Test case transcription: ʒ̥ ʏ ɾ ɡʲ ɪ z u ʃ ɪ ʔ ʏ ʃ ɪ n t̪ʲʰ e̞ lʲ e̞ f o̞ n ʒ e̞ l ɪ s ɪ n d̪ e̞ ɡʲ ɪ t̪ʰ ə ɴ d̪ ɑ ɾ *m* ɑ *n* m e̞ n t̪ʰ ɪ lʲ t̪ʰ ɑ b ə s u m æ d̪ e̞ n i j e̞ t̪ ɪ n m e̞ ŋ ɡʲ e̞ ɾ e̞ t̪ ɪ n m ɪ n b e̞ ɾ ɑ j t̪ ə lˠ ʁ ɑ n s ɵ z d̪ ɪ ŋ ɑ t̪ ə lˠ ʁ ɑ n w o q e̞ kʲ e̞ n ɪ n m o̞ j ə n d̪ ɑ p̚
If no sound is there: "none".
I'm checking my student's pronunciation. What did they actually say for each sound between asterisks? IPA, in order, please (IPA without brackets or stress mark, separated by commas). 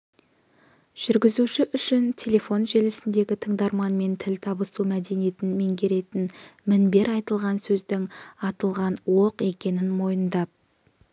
m, n